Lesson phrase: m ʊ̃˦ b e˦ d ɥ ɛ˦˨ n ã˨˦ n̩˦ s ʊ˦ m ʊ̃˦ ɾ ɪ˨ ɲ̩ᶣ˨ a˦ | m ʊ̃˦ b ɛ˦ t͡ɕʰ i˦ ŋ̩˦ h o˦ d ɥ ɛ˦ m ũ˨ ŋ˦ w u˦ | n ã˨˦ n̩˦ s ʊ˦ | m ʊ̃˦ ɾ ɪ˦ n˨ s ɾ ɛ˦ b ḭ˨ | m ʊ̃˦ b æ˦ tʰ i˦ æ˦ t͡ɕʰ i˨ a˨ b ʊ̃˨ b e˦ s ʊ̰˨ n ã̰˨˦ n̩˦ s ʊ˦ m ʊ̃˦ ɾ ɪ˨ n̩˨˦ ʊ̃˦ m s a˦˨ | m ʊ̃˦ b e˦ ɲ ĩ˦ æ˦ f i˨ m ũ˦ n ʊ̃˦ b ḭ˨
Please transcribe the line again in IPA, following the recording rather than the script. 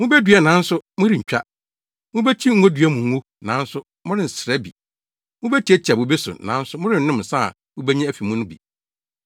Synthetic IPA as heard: m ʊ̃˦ b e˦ d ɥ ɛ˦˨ n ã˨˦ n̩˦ s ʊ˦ m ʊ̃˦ ɾ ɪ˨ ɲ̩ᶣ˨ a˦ | m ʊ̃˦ b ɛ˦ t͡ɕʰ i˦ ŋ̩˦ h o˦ d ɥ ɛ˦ m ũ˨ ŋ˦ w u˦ | n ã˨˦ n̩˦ s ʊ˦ | m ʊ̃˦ ɾ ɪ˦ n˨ s ɾ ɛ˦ b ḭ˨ | m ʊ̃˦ b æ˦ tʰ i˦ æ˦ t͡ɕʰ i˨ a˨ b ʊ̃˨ b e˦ s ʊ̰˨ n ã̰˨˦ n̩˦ s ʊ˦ m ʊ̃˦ ɾ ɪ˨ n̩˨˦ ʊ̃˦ m s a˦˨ | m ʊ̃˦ b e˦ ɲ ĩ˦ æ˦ f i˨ m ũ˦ n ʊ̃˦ b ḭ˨